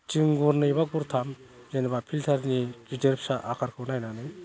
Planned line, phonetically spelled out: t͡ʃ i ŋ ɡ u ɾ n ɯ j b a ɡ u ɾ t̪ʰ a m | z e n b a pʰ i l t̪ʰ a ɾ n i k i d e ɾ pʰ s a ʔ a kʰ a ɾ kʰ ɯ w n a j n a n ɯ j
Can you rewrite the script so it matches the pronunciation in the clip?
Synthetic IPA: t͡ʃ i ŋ ɡ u ɾ n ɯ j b a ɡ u ɾ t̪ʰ a m | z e n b a pʰ i l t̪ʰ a ɾ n i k i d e ɾ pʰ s a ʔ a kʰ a ɾ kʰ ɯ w n a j n a n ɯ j